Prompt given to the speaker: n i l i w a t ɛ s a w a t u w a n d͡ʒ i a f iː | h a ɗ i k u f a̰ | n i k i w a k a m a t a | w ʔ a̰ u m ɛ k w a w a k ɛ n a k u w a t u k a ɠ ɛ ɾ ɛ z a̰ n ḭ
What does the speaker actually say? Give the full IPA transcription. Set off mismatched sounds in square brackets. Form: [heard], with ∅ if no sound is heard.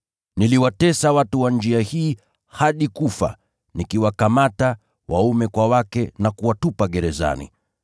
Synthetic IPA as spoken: n i l i w a t ɛ s a w a t u w a n d͡ʒ i a [h] iː | h a ɗ i k u f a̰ | n i k i w a k a m a t a | w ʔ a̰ u m ɛ k w a w a k ɛ n a k u w a t u [p] a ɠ ɛ ɾ ɛ z a̰ n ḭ